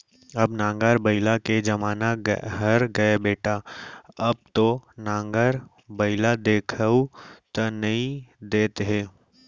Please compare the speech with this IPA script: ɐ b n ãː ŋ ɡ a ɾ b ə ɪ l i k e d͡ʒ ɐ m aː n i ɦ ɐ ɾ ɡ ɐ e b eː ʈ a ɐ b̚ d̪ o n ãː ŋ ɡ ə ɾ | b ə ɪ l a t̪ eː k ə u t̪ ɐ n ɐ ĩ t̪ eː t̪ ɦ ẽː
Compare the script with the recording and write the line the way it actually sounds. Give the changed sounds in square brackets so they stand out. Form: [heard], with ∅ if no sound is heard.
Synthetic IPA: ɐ b n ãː ŋ ɡ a ɾ b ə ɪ l [a] k e d͡ʒ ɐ m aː n [a] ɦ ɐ ɾ ɡ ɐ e b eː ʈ a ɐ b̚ [t̪] o n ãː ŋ ɡ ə ɾ | b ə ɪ l a [d̪] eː [kʰ] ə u t̪ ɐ n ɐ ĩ [d̪] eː t̪ ɦ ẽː

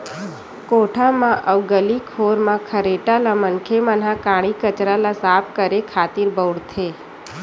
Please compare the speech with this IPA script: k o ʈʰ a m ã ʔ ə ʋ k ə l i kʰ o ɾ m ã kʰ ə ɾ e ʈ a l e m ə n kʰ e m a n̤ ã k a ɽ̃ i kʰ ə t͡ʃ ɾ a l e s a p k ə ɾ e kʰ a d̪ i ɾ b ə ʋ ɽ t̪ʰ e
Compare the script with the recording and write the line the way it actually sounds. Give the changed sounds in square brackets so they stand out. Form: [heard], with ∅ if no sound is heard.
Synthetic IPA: k o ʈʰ a m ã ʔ ə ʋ [ɡ] ə l i kʰ o ɾ m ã kʰ ə ɾ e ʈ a l [a] m ə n kʰ e m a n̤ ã k a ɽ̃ i [k] ə t͡ʃ ɾ a l [a] s a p k ə ɾ e kʰ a [t̪] i ɾ b ə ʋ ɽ t̪ʰ e

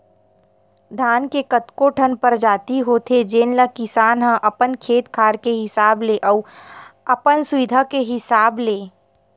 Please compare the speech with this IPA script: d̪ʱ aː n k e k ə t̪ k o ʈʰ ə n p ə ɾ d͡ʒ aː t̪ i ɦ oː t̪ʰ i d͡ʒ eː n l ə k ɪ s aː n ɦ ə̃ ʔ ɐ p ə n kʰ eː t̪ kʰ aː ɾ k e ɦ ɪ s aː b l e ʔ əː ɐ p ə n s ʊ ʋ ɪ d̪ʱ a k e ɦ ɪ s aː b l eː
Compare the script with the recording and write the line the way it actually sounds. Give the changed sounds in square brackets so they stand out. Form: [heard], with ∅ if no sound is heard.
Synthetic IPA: d̪ʱ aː n k e k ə t̪ k o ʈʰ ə n p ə ɾ d͡ʒ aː t̪ i ɦ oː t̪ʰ [e] d͡ʒ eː n l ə k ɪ s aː n ɦ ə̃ ʔ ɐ p ə n kʰ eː t̪ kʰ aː ɾ k e ɦ ɪ s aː b l e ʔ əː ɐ p ə n s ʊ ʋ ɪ d̪ʱ a k e ɦ ɪ s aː b l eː

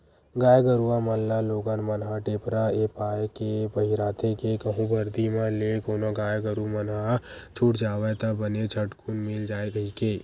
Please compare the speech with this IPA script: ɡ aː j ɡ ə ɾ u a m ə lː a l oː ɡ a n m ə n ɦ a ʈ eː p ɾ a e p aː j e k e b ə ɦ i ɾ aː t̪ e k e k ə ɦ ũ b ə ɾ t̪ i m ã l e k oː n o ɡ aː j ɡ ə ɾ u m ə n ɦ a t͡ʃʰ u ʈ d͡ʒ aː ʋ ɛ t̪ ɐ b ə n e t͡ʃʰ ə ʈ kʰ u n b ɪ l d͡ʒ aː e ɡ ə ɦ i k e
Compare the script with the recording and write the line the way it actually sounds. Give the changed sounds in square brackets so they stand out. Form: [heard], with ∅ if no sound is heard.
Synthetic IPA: ɡ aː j ɡ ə ɾ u a m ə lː a l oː ɡ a n m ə n ɦ a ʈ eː p ɾ a e p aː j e k e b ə ɦ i ɾ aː t̪ e k e k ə ɦ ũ b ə ɾ [d̪] i m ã l e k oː n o ɡ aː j ɡ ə ɾ u m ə n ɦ a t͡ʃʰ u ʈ d͡ʒ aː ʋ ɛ t̪ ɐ b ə n e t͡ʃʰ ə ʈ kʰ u n [m] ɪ l d͡ʒ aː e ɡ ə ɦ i k e

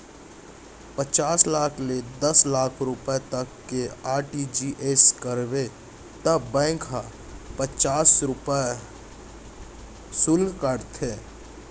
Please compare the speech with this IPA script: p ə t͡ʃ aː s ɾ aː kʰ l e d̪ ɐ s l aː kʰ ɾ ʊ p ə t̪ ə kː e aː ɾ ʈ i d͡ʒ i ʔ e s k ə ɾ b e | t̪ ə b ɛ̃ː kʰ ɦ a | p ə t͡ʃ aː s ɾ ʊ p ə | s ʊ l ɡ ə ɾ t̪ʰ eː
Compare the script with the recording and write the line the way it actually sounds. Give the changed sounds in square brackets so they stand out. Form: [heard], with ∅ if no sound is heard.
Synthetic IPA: p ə t͡ʃ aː s [l] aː kʰ l e d̪ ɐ s l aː kʰ ɾ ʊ p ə t̪ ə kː e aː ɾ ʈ i d͡ʒ i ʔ e s k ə ɾ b e | t̪ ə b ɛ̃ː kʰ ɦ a | p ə t͡ʃ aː s ɾ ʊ p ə | s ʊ l [k] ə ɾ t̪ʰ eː

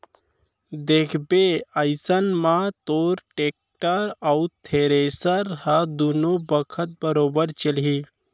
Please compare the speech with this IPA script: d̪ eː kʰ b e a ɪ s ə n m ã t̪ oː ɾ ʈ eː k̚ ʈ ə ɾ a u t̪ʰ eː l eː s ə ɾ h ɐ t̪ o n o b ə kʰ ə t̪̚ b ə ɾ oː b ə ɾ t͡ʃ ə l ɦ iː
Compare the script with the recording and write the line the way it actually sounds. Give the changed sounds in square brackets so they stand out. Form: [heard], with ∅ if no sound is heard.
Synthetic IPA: d̪ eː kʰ b e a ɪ s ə n m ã t̪ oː ɾ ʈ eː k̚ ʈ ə ɾ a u t̪ʰ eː [ɾ] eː s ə ɾ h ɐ [d̪] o n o b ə kʰ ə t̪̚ b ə ɾ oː b ə ɾ t͡ʃ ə l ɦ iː

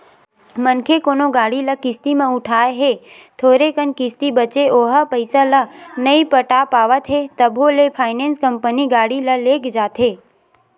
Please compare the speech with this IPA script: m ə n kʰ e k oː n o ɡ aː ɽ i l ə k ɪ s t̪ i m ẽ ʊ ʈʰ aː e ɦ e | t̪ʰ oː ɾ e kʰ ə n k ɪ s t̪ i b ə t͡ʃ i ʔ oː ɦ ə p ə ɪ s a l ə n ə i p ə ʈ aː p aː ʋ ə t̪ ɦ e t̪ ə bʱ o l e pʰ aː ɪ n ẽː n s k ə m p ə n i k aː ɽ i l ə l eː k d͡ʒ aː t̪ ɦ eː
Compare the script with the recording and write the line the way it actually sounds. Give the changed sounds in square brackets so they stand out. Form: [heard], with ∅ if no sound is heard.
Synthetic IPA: m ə n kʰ e k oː n o ɡ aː ɽ i l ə k ɪ s t̪ i m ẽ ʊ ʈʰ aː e ɦ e | t̪ʰ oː ɾ e [k] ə n k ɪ s t̪ i b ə t͡ʃ [e] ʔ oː ɦ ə p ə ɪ s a l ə n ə i p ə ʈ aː p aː ʋ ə t̪ ɦ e t̪ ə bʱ o l e pʰ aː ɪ n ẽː n s k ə m p ə n i [ɡ] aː ɽ i l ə l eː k d͡ʒ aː t̪ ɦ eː

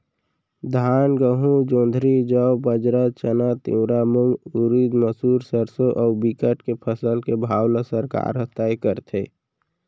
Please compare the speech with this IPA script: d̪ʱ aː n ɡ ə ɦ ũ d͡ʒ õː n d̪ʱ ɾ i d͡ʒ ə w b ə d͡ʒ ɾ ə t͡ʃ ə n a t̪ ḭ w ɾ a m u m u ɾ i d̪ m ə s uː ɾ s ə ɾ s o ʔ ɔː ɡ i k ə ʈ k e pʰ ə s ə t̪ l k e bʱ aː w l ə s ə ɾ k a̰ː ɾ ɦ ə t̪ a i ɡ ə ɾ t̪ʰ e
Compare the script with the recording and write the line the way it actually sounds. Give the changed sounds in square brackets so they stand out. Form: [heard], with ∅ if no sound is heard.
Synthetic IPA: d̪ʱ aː n ɡ ə ɦ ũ d͡ʒ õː n d̪ʱ ɾ i d͡ʒ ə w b ə d͡ʒ ɾ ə t͡ʃ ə n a t̪ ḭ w ɾ a m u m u ɾ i d̪ m ə s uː ɾ s ə ɾ s o ʔ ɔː [b] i k ə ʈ k e pʰ ə s ə [∅] l k e bʱ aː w l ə s ə ɾ k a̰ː ɾ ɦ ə t̪ a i [k] ə ɾ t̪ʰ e

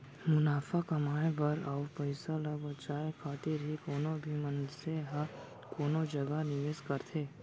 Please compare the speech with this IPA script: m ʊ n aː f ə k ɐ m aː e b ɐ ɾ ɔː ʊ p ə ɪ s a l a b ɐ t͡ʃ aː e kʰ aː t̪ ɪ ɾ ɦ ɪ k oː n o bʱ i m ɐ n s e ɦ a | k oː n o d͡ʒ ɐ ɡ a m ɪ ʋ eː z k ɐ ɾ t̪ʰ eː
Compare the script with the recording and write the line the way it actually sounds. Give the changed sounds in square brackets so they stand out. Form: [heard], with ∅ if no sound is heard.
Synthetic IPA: m ʊ n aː f [a] k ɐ m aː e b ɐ ɾ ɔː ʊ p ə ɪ s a l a b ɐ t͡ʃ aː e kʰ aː t̪ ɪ ɾ ɦ [i] k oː n o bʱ i m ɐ n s e ɦ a | k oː n o d͡ʒ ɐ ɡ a [n] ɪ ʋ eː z k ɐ ɾ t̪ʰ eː

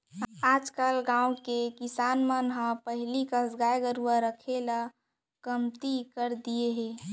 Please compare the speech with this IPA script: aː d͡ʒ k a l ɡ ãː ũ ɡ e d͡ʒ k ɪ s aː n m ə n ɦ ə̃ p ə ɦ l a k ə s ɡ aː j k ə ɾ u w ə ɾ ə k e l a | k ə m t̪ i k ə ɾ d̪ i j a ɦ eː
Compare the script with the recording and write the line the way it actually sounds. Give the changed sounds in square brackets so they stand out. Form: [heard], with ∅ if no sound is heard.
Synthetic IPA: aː d͡ʒ k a l ɡ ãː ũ [k] e [∅] k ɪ s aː n m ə n ɦ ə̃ p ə ɦ l [i] k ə s ɡ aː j [ɡ] ə ɾ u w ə ɾ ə [kʰ] e l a | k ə m t̪ i k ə ɾ d̪ i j [e] ɦ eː

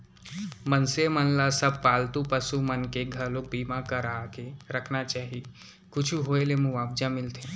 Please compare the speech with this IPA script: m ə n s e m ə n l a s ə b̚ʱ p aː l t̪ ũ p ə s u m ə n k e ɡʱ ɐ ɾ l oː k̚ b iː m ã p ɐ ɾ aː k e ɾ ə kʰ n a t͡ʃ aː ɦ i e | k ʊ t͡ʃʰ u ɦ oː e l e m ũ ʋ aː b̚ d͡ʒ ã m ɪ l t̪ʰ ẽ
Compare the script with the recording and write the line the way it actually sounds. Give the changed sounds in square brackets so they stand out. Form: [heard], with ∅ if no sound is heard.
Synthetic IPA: m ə n s e m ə n l a s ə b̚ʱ p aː l t̪ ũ p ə s u m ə n k e ɡʱ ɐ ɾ l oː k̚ b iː m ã [k] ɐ ɾ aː k e ɾ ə kʰ n a t͡ʃ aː ɦ i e | k ʊ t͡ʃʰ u ɦ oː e l e m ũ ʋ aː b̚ d͡ʒ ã m ɪ l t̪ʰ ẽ

